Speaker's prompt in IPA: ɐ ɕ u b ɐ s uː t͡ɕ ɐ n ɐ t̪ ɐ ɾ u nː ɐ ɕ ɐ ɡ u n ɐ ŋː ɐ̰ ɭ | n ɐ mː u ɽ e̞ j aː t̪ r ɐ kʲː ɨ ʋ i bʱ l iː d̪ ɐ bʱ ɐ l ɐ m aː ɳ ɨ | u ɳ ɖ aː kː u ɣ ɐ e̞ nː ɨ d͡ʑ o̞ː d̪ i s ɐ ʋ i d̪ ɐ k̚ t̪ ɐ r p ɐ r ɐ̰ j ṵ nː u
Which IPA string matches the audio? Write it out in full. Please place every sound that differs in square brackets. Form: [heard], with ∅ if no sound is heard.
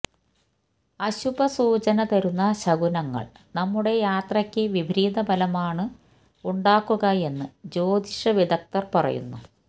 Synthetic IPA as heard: ɐ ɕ u b ɐ s uː t͡ɕ ɐ n ɐ t̪ ɐ ɾ u nː ɐ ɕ ɐ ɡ u n ɐ ŋː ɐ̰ ɭ | n ɐ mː u ɽ e̞ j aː t̪ r ɐ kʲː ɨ ʋ i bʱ [ɾ] iː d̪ ɐ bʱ ɐ l ɐ m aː ɳ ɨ | u ɳ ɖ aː kː u ɣ ɐ e̞ nː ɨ d͡ʑ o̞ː d̪ i [ʂ] ɐ ʋ i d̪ ɐ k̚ t̪ ɐ r p ɐ r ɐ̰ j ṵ nː u